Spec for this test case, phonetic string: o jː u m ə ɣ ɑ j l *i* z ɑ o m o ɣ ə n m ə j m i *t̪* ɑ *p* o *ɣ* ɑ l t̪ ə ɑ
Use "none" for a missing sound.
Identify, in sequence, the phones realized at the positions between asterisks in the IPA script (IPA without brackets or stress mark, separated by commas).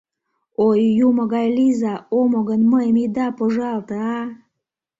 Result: i, d̪, p, ʒ